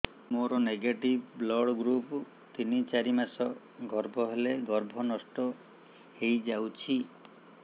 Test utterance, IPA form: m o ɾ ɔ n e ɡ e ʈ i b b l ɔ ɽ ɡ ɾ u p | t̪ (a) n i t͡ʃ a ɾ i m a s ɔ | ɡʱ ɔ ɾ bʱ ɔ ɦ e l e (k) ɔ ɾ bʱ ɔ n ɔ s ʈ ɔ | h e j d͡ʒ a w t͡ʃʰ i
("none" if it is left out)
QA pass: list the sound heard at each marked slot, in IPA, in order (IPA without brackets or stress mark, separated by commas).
i, ɡ